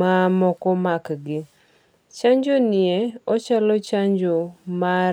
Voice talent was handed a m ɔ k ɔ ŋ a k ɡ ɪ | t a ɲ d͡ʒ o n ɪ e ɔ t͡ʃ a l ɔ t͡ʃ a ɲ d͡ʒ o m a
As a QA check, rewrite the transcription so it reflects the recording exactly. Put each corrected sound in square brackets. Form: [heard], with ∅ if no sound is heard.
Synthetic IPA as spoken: a m ɔ k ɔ [m] a k ɡ ɪ | [t͡ʃ] a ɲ d͡ʒ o n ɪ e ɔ t͡ʃ a l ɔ t͡ʃ a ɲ d͡ʒ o m a